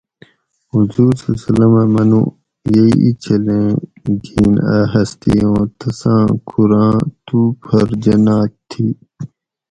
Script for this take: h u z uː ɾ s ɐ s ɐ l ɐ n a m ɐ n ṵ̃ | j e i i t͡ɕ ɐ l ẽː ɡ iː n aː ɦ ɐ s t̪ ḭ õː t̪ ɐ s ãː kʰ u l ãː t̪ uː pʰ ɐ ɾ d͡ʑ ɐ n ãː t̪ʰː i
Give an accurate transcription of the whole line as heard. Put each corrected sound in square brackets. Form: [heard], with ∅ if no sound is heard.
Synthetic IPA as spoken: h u z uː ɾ s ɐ s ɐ l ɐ [m] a m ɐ n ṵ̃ | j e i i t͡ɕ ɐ l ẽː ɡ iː n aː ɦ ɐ s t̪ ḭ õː t̪ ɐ s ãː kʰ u [ɾ] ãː t̪ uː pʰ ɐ ɾ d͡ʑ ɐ n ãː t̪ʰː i